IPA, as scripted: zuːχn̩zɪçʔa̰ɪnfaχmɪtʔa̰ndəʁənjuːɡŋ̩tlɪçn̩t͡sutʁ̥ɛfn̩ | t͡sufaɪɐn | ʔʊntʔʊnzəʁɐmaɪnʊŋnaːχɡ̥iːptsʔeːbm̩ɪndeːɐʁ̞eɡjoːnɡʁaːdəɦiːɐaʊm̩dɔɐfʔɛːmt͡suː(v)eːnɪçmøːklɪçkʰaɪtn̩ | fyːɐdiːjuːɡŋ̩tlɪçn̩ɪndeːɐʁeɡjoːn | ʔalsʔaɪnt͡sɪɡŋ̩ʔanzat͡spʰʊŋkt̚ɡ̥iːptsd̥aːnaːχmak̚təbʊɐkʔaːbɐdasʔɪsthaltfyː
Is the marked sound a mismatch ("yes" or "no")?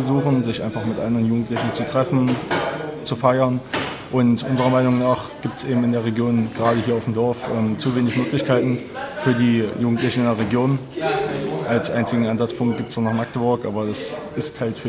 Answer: no